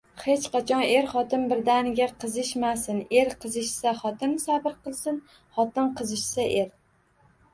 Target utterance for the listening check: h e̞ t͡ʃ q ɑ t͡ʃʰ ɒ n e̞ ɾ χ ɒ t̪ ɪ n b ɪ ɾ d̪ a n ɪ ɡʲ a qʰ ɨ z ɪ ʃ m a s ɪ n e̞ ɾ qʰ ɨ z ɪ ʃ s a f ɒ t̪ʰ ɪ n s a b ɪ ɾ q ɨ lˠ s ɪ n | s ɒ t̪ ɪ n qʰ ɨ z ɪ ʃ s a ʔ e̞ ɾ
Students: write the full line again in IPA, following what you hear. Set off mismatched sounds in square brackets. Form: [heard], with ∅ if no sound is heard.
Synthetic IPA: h e̞ t͡ʃ q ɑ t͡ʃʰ ɒ n e̞ ɾ χ ɒ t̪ ɪ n b ɪ ɾ d̪ a n ɪ ɡʲ a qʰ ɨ z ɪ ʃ m a s ɪ n e̞ ɾ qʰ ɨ z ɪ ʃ s a [χ] ɒ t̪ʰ ɪ n s a b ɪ ɾ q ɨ lˠ s ɪ n | [χ] ɒ t̪ ɪ n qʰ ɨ z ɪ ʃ s a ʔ e̞ ɾ